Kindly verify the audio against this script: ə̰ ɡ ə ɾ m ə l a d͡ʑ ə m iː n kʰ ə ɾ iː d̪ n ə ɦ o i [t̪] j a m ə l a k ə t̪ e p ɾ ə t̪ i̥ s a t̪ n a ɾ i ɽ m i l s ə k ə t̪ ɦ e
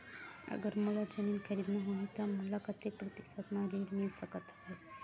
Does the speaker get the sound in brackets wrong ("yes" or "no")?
no